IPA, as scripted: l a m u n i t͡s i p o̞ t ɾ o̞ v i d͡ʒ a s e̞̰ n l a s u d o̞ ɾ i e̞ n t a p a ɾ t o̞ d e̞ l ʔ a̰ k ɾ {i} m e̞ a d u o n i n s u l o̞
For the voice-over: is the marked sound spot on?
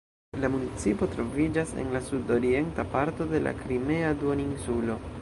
yes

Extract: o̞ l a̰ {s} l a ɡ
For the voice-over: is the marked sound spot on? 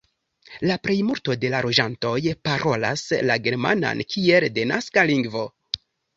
yes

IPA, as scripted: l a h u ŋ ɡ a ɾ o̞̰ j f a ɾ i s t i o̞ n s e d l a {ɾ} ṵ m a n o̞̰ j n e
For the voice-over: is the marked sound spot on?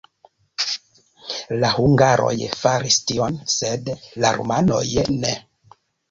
yes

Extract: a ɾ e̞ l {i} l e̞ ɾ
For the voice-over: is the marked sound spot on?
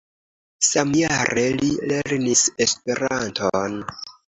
yes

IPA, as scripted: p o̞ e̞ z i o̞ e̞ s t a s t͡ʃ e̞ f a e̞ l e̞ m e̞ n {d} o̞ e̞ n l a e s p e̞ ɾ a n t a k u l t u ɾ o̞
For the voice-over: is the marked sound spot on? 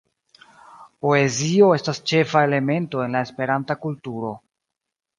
no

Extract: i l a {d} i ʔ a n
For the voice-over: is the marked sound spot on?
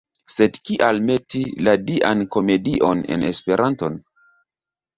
yes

